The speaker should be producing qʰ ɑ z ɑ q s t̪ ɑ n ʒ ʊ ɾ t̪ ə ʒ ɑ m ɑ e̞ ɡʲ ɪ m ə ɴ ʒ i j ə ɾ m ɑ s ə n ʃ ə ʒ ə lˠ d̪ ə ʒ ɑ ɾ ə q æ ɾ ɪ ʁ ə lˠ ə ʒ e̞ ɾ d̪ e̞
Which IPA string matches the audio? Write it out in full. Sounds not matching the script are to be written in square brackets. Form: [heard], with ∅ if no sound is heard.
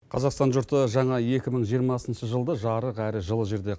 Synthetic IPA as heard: qʰ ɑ z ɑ q s t̪ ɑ n ʒ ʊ ɾ t̪ ə ʒ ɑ [ɴ] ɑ e̞ [kʲ] ɪ m ə ɴ ʒ i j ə ɾ m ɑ s ə n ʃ ə ʒ ə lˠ d̪ ə ʒ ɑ ɾ ə q æ ɾ ɪ [ʒ] ə lˠ ə ʒ e̞ ɾ d̪ e̞